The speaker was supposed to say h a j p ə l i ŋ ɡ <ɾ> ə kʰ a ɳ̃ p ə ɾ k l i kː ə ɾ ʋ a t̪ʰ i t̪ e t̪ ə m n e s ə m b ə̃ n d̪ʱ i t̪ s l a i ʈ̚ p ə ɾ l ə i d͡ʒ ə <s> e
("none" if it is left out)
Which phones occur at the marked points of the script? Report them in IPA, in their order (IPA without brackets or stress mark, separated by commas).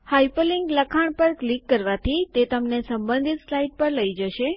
l, ʃ